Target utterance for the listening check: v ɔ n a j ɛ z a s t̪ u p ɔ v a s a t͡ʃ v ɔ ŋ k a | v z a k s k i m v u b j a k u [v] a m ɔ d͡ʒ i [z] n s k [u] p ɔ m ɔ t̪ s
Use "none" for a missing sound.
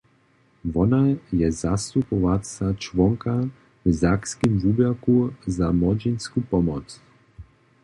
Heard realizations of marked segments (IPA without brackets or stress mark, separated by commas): z, none, u